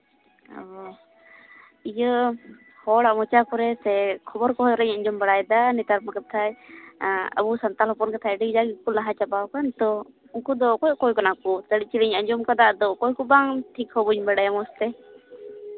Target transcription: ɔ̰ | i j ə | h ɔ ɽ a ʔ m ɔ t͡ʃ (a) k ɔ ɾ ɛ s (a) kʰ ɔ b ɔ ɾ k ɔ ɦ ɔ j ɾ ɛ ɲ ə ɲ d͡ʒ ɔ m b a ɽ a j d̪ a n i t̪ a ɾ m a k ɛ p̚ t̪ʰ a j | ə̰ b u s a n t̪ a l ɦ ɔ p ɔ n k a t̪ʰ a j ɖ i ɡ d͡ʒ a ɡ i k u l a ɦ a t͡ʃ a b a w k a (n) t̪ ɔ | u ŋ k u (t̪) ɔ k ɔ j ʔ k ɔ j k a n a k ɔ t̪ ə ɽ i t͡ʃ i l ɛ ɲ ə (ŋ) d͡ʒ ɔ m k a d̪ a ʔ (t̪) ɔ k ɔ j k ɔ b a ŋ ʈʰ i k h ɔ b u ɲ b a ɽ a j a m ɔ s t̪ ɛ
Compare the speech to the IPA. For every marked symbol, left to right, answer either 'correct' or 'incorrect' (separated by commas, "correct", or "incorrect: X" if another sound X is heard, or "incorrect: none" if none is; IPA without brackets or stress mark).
correct, incorrect: ɛ, correct, incorrect: d̪, incorrect: ɲ, incorrect: d̪